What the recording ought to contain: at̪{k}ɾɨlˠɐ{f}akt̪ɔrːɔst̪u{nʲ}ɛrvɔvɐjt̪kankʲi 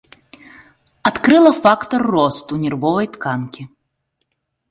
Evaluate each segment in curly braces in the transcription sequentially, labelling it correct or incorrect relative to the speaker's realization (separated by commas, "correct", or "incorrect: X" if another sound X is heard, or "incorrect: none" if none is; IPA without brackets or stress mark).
correct, correct, correct